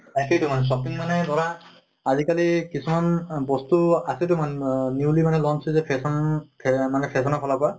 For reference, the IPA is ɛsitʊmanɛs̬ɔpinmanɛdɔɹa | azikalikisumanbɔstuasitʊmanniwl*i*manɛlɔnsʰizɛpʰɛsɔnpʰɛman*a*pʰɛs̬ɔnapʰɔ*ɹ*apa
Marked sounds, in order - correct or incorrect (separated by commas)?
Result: correct, incorrect, incorrect